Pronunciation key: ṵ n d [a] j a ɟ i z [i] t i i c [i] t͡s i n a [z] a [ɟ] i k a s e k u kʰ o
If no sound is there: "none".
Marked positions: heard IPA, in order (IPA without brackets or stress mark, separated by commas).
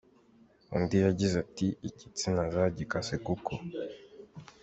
i, a, i, z, ɟ